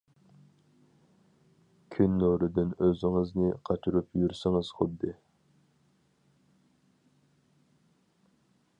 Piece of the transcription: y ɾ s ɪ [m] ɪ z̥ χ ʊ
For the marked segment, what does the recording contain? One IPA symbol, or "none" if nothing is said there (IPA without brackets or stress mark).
ŋ